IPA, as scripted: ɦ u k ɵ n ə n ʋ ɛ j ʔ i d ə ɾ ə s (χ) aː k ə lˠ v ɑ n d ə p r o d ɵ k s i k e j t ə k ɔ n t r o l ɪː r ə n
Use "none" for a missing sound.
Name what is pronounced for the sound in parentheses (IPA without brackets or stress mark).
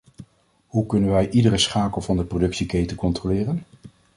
χ